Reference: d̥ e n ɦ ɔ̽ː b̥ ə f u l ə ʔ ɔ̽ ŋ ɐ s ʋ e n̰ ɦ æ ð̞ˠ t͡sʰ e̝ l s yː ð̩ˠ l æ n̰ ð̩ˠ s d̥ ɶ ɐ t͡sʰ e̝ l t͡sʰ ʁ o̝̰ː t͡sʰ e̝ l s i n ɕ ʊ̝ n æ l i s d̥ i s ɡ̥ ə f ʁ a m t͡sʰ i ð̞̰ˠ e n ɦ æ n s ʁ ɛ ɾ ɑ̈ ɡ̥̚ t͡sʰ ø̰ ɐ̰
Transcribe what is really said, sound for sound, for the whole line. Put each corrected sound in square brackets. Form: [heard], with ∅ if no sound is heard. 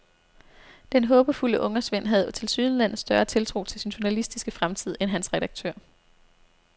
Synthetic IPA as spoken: d̥ e n ɦ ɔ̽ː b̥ ə f u l ə ʔ ɔ̽ ŋ ɐ s ʋ e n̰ ɦ æ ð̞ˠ t͡sʰ e̝ l s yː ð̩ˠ l æ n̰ ð̩ˠ s d̥ ɶ ɐ t͡sʰ e̝ l t͡sʰ ʁ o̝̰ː t͡sʰ e̝ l s i n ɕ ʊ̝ n æ l i s d̥ i s ɡ̥ ə f ʁ a m t͡sʰ i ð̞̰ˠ e n ɦ æ n s ʁ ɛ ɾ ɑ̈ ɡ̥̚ t͡sʰ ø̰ ɐ̰